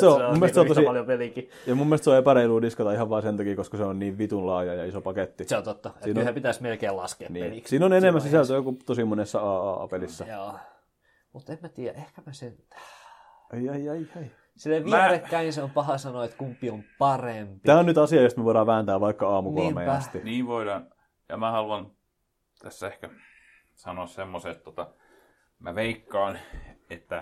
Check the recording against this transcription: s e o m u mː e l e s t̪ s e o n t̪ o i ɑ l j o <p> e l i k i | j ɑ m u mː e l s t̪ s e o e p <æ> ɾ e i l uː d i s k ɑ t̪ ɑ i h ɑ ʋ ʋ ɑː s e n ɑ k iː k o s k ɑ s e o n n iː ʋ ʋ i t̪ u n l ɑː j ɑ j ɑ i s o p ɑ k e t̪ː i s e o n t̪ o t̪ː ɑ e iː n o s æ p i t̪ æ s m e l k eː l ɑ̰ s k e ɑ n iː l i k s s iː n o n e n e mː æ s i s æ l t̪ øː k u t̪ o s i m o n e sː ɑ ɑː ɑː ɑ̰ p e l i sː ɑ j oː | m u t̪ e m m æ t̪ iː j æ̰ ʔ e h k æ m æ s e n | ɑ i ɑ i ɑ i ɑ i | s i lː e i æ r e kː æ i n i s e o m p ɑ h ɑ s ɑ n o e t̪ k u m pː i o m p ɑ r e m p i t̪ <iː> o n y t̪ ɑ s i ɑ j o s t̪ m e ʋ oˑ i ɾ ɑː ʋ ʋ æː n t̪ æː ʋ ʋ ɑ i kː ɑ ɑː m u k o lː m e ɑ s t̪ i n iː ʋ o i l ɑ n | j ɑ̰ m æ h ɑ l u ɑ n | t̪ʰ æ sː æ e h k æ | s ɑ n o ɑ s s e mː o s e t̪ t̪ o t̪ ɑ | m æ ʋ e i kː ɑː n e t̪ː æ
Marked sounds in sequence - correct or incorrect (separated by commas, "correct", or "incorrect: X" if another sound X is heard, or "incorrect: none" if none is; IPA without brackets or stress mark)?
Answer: correct, correct, incorrect: æː